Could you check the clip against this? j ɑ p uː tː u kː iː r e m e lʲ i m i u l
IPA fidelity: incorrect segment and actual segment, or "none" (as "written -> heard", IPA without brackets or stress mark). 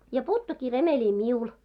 none